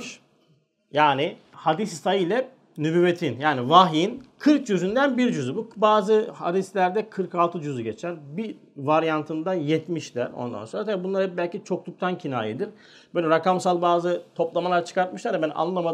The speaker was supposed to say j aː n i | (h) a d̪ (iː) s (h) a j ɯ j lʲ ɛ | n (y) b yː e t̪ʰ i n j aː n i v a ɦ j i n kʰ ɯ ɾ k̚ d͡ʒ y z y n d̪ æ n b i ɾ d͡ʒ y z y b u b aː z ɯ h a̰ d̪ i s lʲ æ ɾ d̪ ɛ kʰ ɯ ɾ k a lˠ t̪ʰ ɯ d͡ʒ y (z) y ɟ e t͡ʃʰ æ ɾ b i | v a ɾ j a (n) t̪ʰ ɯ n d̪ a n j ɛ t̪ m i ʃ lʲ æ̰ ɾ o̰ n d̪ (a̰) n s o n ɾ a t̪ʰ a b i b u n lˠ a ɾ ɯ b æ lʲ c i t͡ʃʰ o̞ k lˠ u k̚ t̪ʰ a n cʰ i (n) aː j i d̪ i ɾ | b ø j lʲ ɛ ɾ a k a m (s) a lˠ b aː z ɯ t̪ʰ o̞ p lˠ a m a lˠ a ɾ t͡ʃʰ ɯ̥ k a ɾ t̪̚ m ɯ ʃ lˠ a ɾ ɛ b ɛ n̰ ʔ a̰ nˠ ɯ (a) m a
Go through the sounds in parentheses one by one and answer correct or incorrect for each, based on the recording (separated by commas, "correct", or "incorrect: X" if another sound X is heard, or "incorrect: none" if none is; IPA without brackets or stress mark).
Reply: correct, incorrect: i, incorrect: s, correct, correct, correct, correct, correct, correct, correct